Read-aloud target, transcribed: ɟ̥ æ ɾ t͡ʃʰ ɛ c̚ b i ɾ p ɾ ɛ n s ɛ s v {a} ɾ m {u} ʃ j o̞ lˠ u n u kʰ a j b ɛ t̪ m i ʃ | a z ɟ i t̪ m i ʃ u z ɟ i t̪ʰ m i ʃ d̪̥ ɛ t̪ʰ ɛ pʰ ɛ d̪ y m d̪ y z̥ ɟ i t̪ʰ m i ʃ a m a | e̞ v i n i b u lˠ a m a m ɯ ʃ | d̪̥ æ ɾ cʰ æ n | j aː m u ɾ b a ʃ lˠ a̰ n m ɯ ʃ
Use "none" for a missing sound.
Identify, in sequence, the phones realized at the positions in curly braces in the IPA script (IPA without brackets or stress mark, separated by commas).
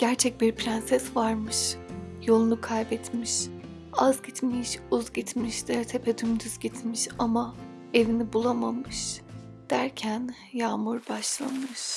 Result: a, ɯ